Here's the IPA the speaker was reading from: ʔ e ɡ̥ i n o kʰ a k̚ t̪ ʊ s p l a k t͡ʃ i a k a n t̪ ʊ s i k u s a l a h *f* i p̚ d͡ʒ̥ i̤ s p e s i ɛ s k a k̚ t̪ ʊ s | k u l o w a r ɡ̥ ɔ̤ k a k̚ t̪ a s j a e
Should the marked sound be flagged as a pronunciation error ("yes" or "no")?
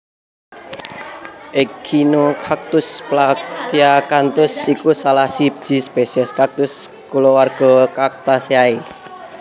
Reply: yes